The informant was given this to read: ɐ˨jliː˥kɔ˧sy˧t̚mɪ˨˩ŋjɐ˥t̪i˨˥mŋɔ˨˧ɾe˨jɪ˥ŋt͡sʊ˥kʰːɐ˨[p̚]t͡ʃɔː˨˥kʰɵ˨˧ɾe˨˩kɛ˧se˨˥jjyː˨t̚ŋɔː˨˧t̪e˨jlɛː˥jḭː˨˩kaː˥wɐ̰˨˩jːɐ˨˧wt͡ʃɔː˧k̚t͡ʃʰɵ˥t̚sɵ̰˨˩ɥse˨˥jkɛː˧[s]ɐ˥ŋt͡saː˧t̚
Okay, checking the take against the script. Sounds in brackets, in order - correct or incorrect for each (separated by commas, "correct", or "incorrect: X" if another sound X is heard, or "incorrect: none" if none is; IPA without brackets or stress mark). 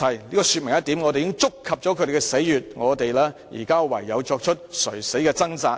correct, incorrect: t͡s